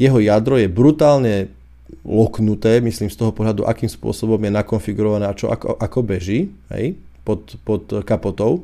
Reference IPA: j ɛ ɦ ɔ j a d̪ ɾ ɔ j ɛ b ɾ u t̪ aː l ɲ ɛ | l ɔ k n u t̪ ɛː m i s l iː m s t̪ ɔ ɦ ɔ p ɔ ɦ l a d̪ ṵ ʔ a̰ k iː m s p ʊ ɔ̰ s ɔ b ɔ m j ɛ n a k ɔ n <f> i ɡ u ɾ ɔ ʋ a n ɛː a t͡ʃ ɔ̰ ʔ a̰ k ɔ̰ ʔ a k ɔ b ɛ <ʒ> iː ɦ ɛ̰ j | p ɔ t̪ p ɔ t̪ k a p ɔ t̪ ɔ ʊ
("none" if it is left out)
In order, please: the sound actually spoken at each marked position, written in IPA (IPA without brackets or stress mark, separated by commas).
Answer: f, ʒ